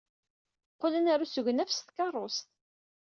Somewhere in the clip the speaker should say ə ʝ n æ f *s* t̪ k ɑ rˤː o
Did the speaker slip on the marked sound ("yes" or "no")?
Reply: no